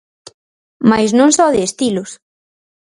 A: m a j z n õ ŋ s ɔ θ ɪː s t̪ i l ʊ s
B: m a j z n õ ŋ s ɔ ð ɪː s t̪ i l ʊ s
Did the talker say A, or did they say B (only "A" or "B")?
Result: B